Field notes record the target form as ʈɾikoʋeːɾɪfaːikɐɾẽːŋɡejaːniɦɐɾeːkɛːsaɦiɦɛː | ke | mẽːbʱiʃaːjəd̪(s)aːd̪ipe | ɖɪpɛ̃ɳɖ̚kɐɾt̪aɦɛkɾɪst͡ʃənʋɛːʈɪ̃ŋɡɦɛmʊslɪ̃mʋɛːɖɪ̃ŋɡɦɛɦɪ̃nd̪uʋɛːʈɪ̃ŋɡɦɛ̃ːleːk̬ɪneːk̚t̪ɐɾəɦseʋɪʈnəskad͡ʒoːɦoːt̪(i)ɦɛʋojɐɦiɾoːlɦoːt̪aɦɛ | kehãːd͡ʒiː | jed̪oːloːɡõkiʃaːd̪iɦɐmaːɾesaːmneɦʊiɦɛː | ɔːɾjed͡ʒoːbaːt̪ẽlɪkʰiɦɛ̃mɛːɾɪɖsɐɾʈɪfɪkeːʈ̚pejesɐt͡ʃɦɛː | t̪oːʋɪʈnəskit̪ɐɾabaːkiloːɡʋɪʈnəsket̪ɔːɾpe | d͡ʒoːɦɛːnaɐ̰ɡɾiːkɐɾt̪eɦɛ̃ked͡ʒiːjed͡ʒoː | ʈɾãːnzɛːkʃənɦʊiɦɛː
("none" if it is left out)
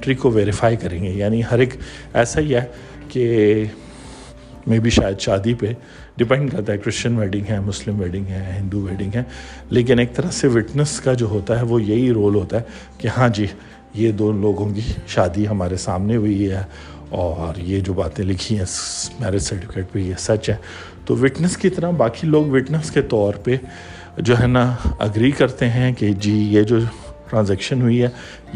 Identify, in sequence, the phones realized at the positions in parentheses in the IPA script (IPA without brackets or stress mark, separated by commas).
ʃ, a